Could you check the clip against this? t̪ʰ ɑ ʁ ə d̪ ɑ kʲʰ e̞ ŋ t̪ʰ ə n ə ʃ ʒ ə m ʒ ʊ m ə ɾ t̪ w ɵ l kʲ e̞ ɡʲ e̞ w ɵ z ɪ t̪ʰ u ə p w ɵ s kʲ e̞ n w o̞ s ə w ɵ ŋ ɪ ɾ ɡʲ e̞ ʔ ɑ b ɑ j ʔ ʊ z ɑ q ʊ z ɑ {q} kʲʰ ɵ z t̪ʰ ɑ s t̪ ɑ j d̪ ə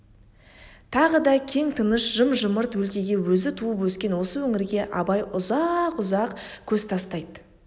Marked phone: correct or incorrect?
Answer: correct